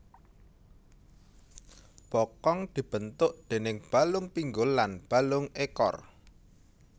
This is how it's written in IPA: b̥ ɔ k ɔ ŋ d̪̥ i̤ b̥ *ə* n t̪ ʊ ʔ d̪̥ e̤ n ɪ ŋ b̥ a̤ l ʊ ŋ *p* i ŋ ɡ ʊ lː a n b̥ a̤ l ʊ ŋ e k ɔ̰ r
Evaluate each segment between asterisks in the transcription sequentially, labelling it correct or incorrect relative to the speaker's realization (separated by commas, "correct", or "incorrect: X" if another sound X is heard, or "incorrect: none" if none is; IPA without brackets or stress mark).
correct, correct